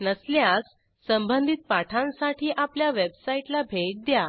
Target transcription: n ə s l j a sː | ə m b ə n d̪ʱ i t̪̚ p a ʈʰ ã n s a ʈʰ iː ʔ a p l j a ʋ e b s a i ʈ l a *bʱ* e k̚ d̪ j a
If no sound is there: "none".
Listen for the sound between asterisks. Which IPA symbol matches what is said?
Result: bʱ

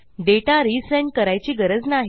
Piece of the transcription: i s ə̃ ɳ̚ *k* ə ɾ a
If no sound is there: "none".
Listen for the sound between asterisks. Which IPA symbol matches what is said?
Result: k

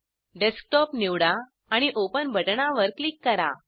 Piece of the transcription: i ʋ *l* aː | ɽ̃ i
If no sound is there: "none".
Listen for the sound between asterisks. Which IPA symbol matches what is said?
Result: ɽ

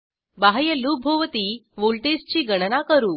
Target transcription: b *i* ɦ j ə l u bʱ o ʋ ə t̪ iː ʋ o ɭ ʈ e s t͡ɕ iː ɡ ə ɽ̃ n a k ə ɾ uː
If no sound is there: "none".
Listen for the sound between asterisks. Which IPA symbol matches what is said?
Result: a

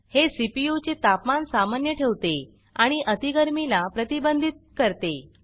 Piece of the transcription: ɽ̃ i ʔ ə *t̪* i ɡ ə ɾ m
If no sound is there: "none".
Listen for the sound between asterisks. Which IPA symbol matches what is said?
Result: t̪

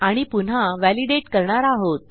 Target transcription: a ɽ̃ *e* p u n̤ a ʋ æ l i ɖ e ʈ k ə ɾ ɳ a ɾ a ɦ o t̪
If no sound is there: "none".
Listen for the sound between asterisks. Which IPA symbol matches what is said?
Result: i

